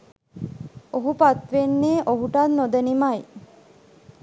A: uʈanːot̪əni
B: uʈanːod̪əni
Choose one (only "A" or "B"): B